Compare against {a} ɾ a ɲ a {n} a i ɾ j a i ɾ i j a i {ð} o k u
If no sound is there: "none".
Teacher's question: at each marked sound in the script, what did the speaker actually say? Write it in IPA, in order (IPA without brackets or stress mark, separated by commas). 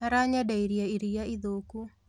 a, d, ð